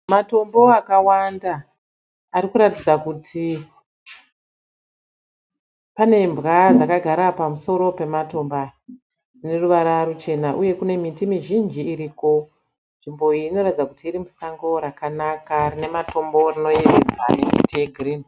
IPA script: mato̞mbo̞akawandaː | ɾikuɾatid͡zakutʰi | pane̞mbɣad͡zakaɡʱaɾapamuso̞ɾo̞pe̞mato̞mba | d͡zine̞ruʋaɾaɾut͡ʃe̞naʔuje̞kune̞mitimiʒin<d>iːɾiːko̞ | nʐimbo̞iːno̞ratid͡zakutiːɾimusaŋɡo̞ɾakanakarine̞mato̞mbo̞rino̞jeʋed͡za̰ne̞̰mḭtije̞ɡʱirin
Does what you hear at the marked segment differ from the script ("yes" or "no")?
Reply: yes